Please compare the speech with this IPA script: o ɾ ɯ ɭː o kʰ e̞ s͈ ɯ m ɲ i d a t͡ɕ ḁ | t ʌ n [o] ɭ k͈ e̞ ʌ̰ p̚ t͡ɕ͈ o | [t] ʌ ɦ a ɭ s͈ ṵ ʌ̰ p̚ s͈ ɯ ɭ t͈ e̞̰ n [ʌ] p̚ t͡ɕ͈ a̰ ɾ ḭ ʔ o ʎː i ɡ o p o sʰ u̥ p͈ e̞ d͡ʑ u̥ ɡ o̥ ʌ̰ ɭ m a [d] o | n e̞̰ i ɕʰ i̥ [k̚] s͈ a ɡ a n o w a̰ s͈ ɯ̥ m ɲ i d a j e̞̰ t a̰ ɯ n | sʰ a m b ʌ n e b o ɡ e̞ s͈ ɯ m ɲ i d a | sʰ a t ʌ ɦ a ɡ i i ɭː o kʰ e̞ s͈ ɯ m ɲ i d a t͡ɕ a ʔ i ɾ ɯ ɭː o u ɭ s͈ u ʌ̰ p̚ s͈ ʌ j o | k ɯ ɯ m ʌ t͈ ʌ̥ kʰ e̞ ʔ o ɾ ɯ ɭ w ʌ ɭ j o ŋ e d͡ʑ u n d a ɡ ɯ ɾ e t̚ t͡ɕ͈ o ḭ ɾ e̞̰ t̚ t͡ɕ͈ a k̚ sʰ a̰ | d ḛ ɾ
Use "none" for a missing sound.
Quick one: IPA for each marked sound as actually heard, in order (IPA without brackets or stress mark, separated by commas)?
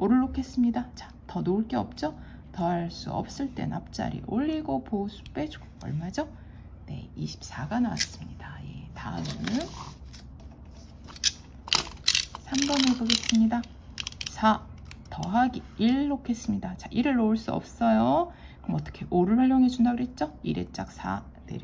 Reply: o, t, a, d͡ʑ, p̚